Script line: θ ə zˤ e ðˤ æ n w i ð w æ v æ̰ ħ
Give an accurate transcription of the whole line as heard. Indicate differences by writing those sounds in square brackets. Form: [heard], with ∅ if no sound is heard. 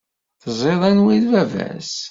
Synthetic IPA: θ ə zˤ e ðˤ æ n w i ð [v] æ v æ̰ [s]